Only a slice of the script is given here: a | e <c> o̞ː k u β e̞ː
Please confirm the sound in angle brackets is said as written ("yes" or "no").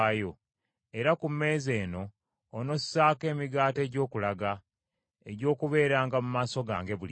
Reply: no